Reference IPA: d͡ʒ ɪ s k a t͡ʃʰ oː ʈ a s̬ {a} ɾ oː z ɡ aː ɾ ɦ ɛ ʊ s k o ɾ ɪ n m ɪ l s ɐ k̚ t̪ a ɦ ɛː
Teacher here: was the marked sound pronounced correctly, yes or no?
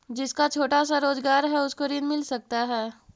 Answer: yes